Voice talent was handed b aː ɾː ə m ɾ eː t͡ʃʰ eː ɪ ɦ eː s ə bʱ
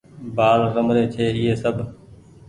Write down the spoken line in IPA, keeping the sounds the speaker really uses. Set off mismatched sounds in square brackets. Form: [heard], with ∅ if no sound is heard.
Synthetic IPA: b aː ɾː ə m ɾ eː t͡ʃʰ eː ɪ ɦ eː s ə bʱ